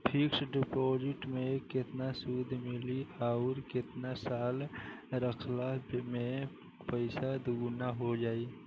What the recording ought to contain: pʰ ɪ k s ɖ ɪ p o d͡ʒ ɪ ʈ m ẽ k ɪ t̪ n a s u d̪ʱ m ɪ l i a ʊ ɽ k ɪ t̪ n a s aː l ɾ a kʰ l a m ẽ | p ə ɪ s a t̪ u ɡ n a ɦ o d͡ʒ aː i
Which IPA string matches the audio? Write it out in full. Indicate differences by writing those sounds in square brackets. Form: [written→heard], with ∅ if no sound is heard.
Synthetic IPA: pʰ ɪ k s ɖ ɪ p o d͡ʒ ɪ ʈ m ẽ k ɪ t̪ n a s u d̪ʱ m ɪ l i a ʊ [ɽ→ɾ] k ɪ t̪ n a s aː l ɾ [a→ə] kʰ l a m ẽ | p ə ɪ s a [t̪→d̪] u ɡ n a ɦ o d͡ʒ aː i